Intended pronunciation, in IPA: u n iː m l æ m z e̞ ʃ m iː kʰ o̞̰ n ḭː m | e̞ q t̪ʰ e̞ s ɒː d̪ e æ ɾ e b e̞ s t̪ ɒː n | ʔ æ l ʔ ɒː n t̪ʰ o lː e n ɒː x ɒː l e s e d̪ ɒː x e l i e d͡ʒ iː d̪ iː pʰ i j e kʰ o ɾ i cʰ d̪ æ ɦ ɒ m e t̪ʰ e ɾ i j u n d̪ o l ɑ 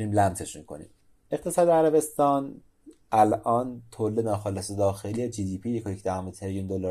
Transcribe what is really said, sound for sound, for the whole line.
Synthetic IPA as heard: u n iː m l æ m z e̞ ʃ m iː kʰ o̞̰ n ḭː m | e̞ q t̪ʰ e̞ s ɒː d̪ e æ ɾ æ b e̞ s t̪ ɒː n | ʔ æ l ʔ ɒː n t̪ʰ o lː e n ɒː x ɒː l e s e d̪ ɒː x e l i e d͡ʒ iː d̪ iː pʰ i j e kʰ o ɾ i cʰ d̪ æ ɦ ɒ m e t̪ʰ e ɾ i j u n d̪ o l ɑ